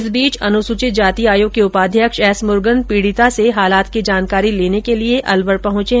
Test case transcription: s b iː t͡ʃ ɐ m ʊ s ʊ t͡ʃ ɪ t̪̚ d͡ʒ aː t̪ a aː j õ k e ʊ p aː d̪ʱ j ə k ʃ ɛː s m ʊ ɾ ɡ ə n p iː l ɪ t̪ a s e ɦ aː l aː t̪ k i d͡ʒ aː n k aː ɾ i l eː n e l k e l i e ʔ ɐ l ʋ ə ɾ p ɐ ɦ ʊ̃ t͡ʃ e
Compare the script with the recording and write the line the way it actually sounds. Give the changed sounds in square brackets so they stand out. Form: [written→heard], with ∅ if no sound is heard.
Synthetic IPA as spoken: s b iː t͡ʃ ɐ [m→n] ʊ s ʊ t͡ʃ ɪ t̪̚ d͡ʒ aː t̪ [a→i] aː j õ k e ʊ p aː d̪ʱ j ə k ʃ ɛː s m ʊ ɾ ɡ ə n p iː [l→ɽ] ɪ t̪ a s e ɦ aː l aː t̪ k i d͡ʒ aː n k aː ɾ i l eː n e [l→∅] k e l i e ʔ ɐ l ʋ ə ɾ p ɐ ɦ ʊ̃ t͡ʃ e